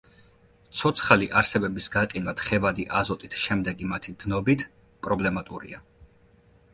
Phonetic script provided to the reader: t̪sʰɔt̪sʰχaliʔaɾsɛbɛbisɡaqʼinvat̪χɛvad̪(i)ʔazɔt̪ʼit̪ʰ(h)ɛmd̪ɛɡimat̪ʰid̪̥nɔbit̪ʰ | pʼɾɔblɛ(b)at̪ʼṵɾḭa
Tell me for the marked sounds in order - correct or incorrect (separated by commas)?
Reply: correct, incorrect, incorrect